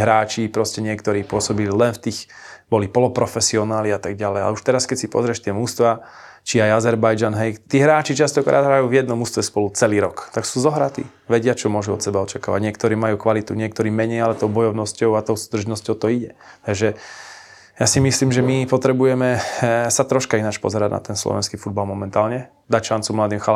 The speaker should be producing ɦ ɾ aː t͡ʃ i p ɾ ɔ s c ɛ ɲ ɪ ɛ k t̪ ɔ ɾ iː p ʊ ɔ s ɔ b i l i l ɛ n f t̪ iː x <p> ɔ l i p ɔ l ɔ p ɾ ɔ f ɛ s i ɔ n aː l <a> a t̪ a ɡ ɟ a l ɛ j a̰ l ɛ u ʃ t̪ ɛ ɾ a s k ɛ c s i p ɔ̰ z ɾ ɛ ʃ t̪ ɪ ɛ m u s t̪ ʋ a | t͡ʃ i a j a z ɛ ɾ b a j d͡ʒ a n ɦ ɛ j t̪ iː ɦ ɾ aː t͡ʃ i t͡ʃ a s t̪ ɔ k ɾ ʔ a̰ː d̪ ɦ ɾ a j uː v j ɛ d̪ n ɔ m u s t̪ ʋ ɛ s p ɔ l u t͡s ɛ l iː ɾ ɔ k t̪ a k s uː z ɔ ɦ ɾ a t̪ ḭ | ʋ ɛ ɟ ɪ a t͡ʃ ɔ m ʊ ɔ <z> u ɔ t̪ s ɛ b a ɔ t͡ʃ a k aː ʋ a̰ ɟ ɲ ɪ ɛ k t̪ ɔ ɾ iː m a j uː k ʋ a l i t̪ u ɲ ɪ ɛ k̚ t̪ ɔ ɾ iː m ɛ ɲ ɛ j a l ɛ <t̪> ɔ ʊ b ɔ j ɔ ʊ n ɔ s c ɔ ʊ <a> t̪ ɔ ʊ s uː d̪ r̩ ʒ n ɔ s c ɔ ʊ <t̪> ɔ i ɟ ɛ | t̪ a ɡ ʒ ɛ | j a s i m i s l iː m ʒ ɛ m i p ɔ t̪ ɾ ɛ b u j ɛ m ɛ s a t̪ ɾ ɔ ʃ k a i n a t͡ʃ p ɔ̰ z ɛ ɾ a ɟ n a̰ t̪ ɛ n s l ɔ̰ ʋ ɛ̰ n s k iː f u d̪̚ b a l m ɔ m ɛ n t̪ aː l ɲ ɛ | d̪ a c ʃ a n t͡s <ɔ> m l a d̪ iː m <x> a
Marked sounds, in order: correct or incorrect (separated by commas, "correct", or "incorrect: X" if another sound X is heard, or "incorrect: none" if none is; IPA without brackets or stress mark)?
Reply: incorrect: b, incorrect: i, incorrect: ʒ, correct, correct, correct, incorrect: u, correct